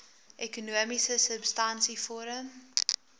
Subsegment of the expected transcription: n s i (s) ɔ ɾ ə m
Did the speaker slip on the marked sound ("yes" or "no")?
yes